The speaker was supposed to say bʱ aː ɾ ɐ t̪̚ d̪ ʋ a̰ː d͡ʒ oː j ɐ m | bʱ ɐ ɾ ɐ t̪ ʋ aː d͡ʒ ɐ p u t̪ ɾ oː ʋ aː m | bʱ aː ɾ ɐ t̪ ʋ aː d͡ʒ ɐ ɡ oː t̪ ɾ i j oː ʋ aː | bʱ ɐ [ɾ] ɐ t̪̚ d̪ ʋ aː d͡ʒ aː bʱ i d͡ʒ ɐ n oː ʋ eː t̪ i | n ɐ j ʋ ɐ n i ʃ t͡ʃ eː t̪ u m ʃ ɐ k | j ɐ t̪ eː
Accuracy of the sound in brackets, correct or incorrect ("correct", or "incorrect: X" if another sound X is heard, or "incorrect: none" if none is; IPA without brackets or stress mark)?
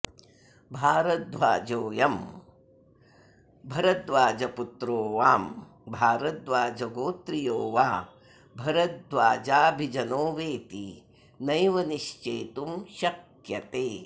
correct